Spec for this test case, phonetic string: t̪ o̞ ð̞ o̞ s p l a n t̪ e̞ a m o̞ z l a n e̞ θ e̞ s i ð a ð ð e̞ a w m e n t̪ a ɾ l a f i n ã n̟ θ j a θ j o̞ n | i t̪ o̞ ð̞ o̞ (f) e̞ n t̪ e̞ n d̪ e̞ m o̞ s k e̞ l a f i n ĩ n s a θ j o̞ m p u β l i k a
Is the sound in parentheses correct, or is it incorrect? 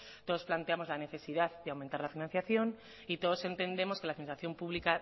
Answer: incorrect